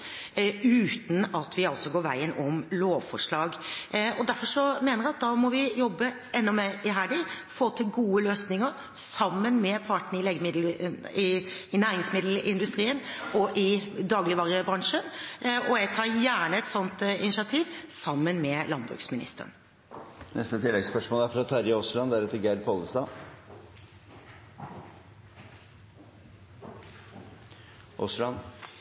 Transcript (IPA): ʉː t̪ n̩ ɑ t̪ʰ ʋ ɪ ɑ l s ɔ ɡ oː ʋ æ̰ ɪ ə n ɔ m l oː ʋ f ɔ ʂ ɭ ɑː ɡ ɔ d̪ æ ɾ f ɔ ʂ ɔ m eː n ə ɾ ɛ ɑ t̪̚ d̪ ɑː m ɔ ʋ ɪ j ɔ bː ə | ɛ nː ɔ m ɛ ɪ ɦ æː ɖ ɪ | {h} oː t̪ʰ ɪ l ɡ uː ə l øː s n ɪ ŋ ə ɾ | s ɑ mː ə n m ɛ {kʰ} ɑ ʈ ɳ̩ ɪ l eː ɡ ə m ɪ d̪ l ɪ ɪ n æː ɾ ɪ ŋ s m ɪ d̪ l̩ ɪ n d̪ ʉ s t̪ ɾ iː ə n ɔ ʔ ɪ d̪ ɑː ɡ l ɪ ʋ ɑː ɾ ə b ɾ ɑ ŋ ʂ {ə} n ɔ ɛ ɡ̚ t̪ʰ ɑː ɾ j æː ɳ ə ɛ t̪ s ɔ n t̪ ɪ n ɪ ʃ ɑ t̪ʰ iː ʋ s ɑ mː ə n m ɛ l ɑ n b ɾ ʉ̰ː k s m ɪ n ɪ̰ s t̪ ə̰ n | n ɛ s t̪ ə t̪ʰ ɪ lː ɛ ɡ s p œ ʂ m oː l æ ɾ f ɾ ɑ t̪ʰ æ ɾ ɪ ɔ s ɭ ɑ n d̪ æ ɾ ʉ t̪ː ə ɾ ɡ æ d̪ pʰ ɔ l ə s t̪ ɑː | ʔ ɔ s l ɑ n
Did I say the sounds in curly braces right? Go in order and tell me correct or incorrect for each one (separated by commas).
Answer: incorrect, incorrect, correct